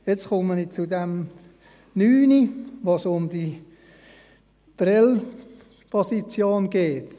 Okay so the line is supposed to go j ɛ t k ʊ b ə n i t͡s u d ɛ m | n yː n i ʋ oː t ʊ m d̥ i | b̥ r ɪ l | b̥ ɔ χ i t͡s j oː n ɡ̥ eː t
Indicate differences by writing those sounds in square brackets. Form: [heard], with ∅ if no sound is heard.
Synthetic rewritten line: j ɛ [t͡s] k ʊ [m] ə n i t͡s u d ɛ m | n yː n i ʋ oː [s] ʊ m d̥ i | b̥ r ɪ l | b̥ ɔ [s] i t͡s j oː n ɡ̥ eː t